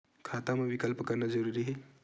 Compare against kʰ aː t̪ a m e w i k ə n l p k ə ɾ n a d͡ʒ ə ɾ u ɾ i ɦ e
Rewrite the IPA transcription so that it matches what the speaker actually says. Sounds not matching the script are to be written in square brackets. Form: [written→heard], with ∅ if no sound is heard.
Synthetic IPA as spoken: kʰ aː t̪ a m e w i k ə [n→∅] l p k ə ɾ n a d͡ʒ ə ɾ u ɾ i ɦ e